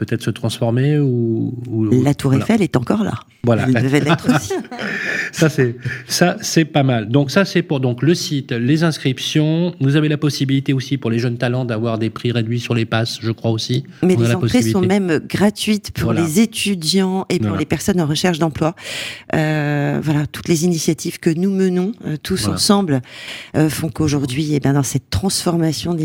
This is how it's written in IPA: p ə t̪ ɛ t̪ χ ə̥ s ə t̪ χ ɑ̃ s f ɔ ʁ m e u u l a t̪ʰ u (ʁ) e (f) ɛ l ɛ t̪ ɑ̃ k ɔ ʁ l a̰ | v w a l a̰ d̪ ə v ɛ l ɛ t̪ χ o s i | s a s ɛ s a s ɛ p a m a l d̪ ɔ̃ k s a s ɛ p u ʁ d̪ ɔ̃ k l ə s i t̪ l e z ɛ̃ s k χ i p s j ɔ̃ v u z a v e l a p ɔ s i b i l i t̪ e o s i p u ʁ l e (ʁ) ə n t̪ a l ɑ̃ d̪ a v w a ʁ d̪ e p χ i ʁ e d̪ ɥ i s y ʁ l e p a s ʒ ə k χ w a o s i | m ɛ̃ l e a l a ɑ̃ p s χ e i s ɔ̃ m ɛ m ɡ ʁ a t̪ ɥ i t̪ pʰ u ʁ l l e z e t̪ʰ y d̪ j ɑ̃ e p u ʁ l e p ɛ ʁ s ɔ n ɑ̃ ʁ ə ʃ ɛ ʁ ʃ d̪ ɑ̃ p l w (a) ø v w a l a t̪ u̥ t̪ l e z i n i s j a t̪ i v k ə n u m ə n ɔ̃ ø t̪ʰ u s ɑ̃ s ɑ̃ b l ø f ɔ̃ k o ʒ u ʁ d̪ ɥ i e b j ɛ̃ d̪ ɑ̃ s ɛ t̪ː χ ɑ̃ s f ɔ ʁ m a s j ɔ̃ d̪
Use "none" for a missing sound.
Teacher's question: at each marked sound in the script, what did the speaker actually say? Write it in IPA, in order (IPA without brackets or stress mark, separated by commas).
ʁ, f, ʒ, a